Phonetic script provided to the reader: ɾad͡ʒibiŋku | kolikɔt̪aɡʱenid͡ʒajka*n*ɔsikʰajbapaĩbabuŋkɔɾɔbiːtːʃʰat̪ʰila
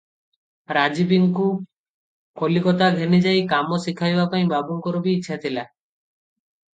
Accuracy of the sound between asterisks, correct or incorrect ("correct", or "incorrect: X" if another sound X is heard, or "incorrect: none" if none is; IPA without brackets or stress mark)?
incorrect: m